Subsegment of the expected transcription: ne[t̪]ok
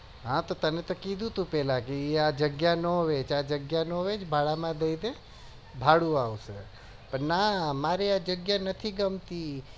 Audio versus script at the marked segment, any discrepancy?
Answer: no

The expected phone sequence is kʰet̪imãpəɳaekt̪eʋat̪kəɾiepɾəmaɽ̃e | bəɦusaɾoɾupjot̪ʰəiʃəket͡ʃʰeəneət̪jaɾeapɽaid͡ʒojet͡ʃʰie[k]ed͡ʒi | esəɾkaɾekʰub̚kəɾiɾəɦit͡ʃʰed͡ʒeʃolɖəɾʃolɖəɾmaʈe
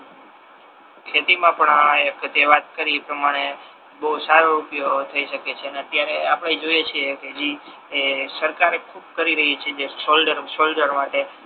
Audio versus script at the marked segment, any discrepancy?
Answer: no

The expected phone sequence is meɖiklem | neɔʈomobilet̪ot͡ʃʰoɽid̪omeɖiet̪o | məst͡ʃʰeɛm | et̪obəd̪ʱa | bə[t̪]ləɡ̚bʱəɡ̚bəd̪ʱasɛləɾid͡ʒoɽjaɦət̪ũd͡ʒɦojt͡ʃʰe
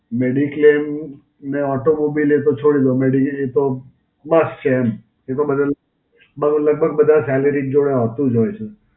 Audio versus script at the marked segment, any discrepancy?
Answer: yes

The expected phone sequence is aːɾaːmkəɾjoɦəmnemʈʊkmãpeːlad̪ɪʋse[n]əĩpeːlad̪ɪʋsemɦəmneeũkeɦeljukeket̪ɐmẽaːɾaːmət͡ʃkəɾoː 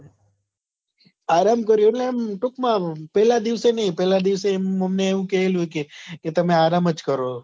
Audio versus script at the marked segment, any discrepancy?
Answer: no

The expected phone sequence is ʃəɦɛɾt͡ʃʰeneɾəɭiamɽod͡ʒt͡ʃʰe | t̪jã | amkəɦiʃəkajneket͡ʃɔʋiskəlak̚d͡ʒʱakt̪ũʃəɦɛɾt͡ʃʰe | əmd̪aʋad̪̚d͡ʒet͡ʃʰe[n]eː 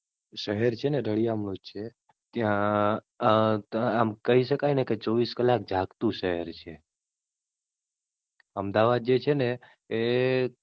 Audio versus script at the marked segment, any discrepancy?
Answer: no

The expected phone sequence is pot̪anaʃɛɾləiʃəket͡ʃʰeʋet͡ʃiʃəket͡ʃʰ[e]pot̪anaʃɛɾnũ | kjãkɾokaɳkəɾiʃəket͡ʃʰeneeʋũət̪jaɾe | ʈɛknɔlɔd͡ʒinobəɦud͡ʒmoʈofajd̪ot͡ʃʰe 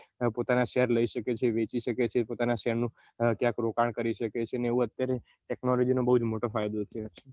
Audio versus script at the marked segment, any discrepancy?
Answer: no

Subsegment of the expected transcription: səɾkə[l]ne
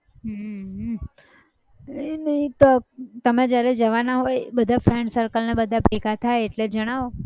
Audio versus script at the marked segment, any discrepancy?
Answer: no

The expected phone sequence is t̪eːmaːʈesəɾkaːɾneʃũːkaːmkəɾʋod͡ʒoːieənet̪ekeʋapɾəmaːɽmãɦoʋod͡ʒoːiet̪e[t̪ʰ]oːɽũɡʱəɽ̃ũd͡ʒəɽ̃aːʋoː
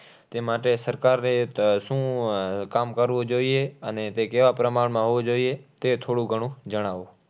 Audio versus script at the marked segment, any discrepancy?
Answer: no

